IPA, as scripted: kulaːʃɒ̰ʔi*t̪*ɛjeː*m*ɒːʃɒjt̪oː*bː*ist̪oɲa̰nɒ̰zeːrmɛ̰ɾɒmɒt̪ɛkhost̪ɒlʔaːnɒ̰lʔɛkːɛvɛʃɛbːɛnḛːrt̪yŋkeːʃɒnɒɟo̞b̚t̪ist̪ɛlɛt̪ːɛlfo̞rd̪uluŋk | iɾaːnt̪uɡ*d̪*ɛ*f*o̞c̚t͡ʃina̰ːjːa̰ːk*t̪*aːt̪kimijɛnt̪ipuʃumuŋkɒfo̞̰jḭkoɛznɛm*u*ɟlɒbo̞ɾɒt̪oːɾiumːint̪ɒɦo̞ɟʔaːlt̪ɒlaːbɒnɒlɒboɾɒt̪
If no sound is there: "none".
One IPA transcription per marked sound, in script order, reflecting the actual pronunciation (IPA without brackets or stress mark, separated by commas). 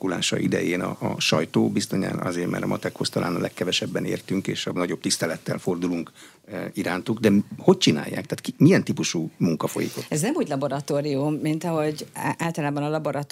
d̪, n, b, d̪, h, t̪, uː